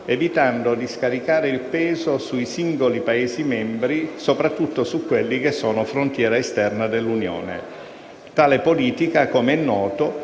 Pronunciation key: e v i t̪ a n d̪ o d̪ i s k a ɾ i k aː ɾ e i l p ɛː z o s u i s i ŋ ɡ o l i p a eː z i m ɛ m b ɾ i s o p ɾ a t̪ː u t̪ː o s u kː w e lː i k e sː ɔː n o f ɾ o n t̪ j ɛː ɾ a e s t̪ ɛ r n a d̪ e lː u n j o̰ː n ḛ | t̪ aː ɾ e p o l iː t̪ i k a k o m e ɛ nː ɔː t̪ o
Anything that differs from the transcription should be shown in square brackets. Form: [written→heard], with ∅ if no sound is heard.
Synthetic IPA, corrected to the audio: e v i t̪ a n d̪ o d̪ i s k a ɾ i k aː ɾ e i l p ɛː z o s u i s i ŋ ɡ o l i p a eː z i m ɛ m b ɾ i s o p ɾ a t̪ː u t̪ː o s u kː w e lː i k e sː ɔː n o f ɾ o n t̪ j ɛː ɾ a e s t̪ ɛ r n a d̪ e lː u n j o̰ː n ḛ | t̪ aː [ɾ→l] e p o l iː t̪ i k a k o m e ɛ nː ɔː t̪ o